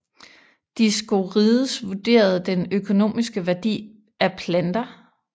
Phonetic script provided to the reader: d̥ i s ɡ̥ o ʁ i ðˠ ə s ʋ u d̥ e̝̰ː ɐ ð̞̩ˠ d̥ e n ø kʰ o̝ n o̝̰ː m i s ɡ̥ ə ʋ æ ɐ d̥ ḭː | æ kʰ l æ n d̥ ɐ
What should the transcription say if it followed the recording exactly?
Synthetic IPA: d̥ i s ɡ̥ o ʁ i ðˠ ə s ʋ u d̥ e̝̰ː ɐ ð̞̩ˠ d̥ e n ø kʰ o̝ n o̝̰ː m i s ɡ̥ ə ʋ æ ɐ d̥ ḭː | æ pʰ l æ n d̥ ɐ

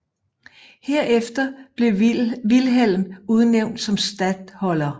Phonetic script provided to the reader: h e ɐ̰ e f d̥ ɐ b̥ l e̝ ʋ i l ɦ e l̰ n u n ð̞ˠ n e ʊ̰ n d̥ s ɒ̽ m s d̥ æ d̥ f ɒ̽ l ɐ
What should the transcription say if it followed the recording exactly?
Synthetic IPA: h e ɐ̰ e f d̥ ɐ b̥ l e̝ ʋ i l ɦ e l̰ m u ð̞ˠ n e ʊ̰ n d̥ s ɒ̽ m s d̥ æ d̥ h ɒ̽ l ɐ

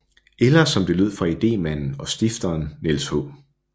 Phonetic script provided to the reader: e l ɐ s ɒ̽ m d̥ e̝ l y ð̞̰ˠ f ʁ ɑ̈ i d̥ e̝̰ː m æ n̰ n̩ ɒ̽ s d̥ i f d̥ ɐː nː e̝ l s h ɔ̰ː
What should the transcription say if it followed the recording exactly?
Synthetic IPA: e l ɐ s ɒ̽ m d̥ e̝ l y ð̞̰ˠ f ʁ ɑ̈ i d̥ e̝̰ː m æ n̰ n̩ ɒ̽ s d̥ i f d̥ ɐː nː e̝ l s h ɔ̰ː

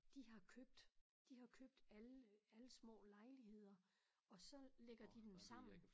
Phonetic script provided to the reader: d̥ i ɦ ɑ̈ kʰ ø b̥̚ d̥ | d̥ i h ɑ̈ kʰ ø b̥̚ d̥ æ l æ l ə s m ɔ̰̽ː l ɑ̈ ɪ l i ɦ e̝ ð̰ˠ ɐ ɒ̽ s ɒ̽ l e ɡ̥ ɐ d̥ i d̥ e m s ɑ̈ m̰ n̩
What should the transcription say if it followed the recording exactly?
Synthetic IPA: d̥ i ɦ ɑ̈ kʰ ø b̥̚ d̥ | d̥ i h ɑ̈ kʰ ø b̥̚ d̥ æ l æ l ə s m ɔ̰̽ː l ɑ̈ ɪ l i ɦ e̝ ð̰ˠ ɐ ɒ̽ s ɒ̽ l e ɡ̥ ɐ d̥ i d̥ e m s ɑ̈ m̰ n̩

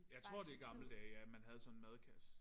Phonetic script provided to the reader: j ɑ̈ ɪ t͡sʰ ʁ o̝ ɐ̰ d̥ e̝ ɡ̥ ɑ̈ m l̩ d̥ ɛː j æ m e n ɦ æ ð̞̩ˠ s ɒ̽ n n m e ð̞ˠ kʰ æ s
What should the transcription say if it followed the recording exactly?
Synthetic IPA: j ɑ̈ ɪ t͡sʰ ʁ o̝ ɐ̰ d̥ e̝ ɡ̥ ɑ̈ m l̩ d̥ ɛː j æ m æ n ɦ æ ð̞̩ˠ s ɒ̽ n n m æ ð̞ˠ kʰ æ s

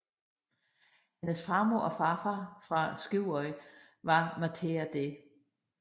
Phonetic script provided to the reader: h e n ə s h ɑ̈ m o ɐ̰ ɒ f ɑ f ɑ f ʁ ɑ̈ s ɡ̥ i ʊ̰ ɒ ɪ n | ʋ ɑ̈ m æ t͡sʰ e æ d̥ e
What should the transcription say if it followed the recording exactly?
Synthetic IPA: h e n ə s f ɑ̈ m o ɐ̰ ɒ f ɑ f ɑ f ʁ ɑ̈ s ɡ̥ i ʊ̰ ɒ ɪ | ʋ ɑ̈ m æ t͡sʰ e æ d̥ e

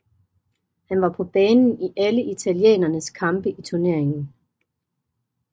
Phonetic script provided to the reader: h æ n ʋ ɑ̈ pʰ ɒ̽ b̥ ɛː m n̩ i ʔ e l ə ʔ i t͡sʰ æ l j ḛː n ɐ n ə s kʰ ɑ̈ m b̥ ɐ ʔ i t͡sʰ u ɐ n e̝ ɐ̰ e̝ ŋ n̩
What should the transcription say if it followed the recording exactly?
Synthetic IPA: h æ n ʋ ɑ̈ pʰ ɒ̽ b̥ ɛː n n̩ i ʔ æ l ə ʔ i t͡sʰ æ l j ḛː n ɐ n ə s kʰ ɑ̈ m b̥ ə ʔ i t͡sʰ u ɐ n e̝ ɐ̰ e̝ ŋ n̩

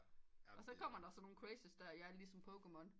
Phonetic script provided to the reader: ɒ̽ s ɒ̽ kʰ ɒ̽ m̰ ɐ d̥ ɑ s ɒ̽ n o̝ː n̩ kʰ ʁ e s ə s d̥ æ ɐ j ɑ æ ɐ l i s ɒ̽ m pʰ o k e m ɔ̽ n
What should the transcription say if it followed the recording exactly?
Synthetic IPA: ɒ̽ s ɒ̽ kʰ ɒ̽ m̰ ɐ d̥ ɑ s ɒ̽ n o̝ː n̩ kʰ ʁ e s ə s d̥ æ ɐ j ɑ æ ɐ l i s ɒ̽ m pʰ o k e m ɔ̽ n

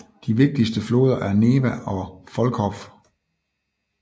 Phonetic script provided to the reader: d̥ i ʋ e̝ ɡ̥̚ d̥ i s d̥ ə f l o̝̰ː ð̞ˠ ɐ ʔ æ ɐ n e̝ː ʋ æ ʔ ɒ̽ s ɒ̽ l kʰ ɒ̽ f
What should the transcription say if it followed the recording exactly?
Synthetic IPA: d̥ i ʋ e̝ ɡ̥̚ d̥ i s d̥ ə f l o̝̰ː ð̞ˠ ɐ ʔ æ ɐ n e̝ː ʋ æ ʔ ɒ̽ f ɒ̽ l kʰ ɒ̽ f

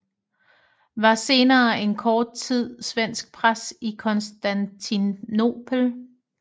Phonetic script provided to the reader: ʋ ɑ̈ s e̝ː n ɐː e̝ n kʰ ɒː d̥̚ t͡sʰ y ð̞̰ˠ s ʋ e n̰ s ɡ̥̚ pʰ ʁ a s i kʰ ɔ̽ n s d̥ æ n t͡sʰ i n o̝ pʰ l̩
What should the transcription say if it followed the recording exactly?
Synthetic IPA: ʋ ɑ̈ s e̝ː n ɐː e̝ n kʰ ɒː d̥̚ t͡sʰ i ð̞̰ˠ s ʋ e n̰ s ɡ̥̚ pʰ ʁ a s i kʰ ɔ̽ n s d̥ æ n t͡sʰ i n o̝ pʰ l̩

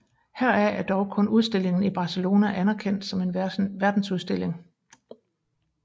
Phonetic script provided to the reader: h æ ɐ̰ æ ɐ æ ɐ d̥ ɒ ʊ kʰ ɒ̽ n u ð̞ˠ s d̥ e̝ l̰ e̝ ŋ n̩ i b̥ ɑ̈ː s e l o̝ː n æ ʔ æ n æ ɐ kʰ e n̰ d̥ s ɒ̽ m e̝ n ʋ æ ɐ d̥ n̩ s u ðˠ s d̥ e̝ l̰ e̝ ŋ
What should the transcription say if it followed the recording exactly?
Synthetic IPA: h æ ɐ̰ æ ɐ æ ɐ d̥ ɒ ʊ kʰ ɔ̽ n u ð̞ˠ s d̥ e̝ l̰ e̝ ŋ n̩ i b̥ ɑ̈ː s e l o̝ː n æ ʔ æ n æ ɐ kʰ e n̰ d̥ s ɒ̽ m e̝ n ʋ æ ɐ d̥ n̩ s u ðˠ s d̥ e̝ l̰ e̝ ŋ

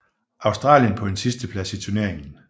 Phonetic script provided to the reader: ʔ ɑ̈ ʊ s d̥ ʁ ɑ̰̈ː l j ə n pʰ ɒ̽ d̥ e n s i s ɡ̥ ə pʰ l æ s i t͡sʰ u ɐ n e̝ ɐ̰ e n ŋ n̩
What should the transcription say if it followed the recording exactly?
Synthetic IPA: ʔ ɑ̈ ʊ s d̥ ʁ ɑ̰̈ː l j ə n pʰ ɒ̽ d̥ e n s i s d̥ ə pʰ l æ s i t͡sʰ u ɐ n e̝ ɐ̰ e ŋ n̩

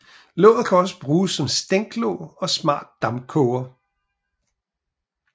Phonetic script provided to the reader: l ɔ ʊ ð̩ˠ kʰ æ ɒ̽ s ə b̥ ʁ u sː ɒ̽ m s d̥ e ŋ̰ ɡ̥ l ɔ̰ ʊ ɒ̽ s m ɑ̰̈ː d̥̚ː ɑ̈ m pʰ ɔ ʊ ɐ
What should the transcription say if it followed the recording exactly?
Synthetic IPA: l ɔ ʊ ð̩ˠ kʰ æ ɒ̽ s ə b̥ ʁ uː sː ɒ̽ m s d̥ e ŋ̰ ɡ̥ l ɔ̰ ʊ ɒ̽ s m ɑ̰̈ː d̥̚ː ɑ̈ m kʰ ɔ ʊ ɐ

